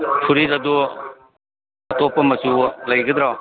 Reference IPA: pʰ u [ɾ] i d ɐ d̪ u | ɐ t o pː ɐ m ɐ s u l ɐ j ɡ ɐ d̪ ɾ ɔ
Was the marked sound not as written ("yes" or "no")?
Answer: no